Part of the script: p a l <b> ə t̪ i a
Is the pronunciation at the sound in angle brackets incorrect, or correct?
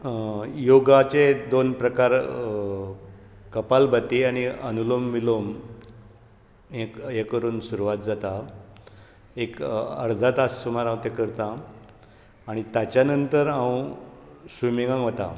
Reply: correct